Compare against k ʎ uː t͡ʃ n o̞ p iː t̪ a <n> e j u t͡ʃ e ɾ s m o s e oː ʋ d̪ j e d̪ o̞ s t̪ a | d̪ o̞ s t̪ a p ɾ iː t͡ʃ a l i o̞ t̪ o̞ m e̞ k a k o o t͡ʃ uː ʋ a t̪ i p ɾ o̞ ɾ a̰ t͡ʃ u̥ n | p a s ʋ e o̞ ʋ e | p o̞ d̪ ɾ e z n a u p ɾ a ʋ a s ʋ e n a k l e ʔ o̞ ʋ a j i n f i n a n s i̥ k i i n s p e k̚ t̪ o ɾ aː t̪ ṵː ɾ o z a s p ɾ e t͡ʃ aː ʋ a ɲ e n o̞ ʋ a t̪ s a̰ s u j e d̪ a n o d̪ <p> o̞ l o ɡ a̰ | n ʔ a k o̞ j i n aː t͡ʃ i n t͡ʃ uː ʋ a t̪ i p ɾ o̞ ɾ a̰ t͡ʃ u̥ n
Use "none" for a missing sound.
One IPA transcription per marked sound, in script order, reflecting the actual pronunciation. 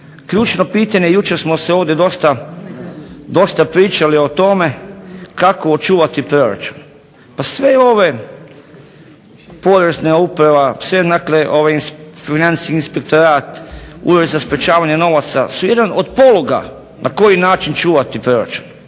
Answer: ɲ, p

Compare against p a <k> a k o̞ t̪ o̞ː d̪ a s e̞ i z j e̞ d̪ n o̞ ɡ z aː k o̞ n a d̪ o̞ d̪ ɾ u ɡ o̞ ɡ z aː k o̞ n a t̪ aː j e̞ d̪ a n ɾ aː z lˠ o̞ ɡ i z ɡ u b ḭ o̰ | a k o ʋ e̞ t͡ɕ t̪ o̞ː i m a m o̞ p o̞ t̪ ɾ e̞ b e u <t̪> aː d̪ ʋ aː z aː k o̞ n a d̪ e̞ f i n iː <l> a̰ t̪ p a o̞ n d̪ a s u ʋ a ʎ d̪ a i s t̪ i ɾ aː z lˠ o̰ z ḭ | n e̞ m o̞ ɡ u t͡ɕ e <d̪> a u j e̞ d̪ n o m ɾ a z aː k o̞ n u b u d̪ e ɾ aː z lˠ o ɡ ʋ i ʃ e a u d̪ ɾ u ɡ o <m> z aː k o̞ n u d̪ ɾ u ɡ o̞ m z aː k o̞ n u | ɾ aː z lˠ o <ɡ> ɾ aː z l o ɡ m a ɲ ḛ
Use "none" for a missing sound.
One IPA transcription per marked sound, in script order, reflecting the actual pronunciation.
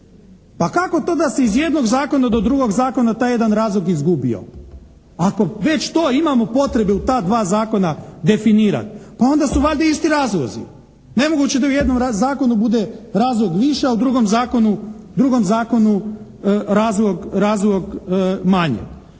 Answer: k, t̪, ɾ, d̪, m, ɡ

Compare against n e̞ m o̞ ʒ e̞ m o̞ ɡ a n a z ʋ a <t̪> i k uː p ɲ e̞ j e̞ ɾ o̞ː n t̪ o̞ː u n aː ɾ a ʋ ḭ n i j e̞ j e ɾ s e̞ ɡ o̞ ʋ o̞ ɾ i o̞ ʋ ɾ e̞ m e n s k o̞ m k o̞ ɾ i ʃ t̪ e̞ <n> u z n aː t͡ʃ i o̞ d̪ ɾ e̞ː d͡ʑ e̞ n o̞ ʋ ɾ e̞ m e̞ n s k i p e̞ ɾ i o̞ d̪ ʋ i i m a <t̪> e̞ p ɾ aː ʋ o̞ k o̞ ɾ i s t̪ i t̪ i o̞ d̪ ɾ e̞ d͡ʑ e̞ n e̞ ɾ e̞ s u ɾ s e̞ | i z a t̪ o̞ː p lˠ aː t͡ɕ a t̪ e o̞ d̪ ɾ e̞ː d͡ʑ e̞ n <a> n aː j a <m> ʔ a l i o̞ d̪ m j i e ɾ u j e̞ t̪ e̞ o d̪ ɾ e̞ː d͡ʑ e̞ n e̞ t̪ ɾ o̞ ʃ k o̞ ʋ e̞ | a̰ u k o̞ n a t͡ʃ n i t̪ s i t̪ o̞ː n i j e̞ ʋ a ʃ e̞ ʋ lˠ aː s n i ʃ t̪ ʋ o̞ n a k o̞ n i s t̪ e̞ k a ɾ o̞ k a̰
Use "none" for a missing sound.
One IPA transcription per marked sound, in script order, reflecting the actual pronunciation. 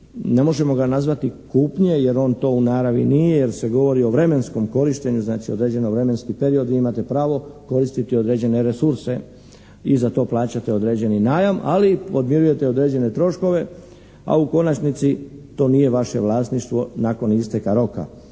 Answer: t̪, ɲ, t̪, i, m

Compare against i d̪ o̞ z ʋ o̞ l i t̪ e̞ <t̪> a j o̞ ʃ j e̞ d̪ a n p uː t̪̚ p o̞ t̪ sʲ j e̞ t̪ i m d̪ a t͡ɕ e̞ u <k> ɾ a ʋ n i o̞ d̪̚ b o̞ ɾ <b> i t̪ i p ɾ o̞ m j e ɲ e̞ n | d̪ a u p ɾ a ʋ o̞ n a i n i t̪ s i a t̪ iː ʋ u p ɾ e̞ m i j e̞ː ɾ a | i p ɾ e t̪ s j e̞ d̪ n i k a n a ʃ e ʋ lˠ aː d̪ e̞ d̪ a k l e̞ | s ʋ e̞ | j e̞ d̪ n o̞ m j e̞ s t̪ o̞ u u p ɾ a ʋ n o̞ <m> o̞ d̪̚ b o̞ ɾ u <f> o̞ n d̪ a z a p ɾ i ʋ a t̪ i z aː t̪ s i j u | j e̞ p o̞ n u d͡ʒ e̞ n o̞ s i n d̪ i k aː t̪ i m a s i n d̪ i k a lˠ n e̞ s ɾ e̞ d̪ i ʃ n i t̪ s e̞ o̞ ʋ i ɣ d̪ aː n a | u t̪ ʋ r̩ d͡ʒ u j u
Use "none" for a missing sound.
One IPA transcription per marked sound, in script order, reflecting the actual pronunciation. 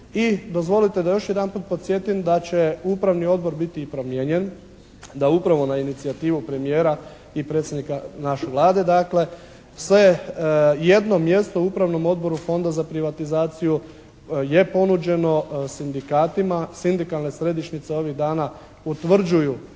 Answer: d̪, p, b, m, f

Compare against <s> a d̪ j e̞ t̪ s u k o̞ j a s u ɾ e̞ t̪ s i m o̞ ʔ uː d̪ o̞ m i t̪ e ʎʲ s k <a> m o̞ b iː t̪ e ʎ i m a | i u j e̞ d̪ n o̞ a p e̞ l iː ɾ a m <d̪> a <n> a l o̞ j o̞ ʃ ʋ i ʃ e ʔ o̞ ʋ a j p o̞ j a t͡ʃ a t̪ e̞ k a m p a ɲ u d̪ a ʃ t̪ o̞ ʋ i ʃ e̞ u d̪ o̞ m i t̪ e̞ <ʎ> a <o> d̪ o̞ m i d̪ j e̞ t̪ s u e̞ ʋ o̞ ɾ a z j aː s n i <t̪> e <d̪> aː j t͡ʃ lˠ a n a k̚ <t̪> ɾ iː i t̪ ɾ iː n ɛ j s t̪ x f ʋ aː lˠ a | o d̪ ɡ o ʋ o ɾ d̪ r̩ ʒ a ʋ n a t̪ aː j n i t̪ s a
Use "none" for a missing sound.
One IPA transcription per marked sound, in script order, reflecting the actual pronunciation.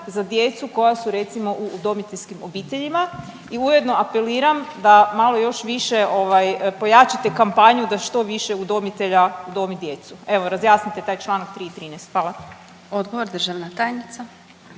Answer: z, i, d̪, m, ʎ, u, t̪, t̪, t̪

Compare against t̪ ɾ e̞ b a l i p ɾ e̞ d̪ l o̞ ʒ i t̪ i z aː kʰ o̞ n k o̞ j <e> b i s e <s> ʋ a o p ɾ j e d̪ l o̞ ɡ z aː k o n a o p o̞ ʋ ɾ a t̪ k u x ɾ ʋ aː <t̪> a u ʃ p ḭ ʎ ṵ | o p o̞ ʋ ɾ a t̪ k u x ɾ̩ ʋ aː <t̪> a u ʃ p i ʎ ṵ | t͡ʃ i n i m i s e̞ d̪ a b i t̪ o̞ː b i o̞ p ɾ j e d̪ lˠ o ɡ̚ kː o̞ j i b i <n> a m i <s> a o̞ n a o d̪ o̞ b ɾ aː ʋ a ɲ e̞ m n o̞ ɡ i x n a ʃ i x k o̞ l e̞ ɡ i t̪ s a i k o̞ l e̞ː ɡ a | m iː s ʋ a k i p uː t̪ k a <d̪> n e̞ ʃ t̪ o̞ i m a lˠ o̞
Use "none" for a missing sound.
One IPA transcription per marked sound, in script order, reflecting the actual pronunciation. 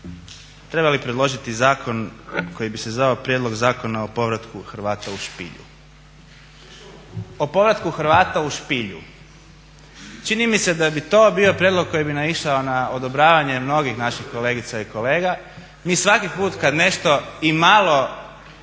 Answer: i, z, t̪, t̪, n, ʃ, d̪

